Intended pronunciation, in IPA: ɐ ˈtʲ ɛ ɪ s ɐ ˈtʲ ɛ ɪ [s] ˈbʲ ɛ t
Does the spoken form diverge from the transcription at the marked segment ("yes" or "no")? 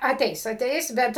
no